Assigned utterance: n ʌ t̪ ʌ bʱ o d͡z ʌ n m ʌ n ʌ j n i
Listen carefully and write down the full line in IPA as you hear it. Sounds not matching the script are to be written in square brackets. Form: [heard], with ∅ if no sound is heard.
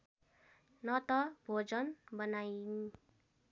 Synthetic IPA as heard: n ʌ t̪ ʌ bʱ o d͡z ʌ n [b] ʌ n [a] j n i